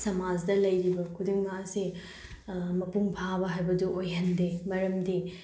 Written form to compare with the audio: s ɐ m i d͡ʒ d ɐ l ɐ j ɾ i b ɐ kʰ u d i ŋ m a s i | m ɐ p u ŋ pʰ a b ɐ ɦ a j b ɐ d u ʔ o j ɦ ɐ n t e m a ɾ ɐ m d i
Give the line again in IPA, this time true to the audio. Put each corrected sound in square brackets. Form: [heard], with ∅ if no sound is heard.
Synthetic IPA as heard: s ɐ m [a] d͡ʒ d ɐ l ɐ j ɾ i b ɐ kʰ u d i ŋ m a s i | m ɐ p u ŋ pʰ a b ɐ ɦ a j b ɐ d u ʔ o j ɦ ɐ n [d] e m [ɐ] ɾ ɐ m d i